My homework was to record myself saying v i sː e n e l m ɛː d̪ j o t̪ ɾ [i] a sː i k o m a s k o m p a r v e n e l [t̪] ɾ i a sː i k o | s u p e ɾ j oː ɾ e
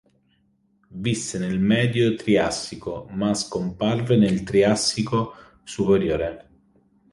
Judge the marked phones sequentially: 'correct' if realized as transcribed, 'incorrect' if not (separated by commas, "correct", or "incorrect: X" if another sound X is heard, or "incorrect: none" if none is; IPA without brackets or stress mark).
correct, correct